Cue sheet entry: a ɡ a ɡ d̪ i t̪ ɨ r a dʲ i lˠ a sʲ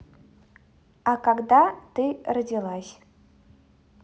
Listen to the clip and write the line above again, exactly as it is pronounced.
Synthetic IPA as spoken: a k a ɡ d̪ a t̪ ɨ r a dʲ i lˠ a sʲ